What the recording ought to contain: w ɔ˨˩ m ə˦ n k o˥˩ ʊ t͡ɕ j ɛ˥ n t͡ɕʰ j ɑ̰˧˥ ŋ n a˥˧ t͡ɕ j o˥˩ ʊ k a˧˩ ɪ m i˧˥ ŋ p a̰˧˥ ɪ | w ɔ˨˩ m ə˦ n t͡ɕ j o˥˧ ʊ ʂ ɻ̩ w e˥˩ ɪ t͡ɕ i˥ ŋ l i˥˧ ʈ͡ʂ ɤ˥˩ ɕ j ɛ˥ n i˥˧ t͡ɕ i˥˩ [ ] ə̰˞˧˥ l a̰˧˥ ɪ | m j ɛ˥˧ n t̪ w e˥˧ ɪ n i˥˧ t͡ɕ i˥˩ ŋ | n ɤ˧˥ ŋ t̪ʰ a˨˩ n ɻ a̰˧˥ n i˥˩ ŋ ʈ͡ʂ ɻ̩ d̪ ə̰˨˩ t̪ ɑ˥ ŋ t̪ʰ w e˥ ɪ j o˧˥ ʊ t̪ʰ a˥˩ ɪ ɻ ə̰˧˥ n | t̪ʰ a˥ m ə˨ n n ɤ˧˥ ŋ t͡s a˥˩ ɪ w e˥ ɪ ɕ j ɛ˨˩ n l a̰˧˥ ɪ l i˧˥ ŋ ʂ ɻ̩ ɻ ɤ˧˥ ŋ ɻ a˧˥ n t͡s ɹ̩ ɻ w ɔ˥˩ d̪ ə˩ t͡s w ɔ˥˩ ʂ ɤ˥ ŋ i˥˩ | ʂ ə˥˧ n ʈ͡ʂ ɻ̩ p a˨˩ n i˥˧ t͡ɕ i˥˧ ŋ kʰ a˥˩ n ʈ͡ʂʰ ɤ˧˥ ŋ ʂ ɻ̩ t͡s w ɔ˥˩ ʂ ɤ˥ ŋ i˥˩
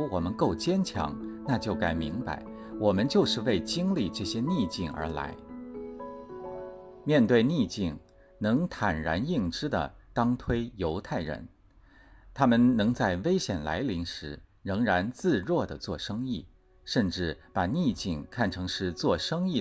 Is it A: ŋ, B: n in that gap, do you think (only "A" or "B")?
A